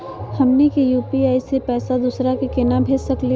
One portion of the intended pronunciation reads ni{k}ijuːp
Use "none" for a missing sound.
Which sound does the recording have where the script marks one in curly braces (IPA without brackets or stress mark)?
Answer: k